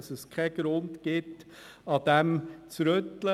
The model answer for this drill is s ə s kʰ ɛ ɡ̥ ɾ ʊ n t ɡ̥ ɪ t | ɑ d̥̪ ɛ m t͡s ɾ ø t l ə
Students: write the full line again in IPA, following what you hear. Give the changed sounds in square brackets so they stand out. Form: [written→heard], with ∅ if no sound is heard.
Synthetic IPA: s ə s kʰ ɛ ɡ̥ ɾ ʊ n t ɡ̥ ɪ t | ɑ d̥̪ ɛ m t͡s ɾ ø t l ə